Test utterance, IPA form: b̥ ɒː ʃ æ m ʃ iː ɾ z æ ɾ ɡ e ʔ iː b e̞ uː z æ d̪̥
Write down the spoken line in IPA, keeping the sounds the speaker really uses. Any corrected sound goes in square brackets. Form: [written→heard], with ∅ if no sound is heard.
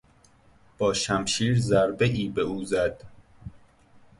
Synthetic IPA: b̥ ɒː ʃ æ m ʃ iː ɾ z æ ɾ [ɡ→b] e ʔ iː b e̞ uː z æ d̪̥